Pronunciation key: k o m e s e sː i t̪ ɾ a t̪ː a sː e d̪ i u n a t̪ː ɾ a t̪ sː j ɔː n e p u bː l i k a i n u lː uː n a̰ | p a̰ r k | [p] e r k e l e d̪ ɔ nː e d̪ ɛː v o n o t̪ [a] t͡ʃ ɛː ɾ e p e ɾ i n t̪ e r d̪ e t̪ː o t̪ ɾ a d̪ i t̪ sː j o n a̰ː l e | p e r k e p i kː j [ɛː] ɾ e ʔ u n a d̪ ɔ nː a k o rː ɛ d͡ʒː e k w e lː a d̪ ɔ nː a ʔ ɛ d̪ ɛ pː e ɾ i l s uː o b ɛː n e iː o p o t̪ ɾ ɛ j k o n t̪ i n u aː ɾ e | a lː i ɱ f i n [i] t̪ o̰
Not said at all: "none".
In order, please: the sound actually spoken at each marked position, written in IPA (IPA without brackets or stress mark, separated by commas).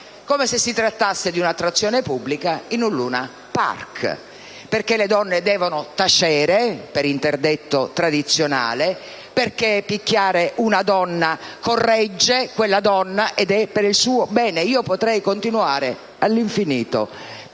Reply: p, a, aː, iː